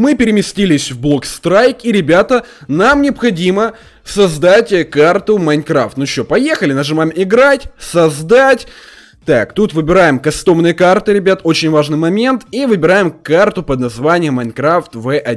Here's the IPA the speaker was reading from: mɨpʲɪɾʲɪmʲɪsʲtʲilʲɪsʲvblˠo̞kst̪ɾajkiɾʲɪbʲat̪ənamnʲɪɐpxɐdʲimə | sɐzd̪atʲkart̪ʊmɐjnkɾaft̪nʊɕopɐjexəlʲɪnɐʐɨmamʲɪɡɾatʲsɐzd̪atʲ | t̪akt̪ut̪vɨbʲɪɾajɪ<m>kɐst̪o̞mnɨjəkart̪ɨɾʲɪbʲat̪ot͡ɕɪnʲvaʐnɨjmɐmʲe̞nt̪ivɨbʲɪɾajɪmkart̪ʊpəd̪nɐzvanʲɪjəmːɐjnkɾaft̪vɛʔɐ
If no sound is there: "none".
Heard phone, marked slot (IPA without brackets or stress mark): m